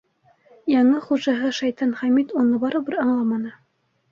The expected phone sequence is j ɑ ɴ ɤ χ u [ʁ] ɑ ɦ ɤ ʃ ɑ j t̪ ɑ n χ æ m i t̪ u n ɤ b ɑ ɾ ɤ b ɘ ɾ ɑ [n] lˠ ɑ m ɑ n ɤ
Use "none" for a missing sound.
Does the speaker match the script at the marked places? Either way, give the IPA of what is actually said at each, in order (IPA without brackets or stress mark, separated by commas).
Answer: ʒ, ɴ